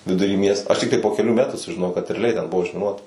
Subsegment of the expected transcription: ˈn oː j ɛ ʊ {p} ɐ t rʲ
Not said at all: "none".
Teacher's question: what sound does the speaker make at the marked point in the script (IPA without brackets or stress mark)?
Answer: k